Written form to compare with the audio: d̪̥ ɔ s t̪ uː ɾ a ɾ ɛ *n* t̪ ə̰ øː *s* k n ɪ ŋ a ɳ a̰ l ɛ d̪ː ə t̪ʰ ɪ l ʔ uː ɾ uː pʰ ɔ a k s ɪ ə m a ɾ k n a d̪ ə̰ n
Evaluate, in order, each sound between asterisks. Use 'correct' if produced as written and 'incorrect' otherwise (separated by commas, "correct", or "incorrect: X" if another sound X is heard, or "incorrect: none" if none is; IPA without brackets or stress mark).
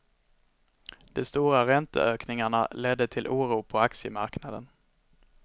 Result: correct, incorrect: none